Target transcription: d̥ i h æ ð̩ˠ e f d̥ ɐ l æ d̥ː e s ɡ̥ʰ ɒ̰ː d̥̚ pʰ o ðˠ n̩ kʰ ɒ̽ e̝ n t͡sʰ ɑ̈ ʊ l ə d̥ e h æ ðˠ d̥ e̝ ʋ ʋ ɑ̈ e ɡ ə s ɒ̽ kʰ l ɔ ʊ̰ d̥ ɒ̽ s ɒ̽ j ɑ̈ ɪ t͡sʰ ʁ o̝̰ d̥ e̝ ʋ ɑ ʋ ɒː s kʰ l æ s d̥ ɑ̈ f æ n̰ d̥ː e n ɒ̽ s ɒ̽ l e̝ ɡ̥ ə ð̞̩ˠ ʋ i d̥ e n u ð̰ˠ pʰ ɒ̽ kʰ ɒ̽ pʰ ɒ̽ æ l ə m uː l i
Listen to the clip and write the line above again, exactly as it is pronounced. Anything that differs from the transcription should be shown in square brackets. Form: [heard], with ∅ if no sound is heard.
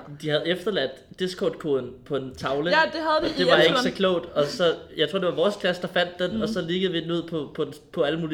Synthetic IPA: d̥ i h æ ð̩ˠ e f d̥ ɐ l æ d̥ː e s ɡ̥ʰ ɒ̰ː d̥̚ [kʰ] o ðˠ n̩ [pʰ] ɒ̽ e̝ n t͡sʰ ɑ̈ ʊ l ə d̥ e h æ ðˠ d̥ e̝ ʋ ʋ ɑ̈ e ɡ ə s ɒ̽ kʰ l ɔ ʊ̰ d̥ ɒ̽ s ɒ̽ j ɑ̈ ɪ t͡sʰ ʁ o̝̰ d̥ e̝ ʋ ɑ ʋ ɒː s kʰ l æ s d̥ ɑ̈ f æ n̰ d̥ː e n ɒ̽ s ɒ̽ l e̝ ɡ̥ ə ð̞̩ˠ ʋ i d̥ e n u ð̰ˠ pʰ ɒ̽ [pʰ] ɒ̽ pʰ ɒ̽ æ l ə m uː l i